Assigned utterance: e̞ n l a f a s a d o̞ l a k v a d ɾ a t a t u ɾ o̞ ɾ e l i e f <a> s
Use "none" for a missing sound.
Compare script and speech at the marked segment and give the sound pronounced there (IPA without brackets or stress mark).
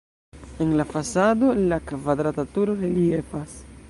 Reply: a